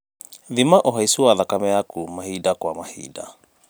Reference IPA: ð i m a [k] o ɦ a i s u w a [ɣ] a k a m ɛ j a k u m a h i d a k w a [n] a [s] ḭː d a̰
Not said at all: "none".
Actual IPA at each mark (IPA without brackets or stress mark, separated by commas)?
ʔ, ð, m, h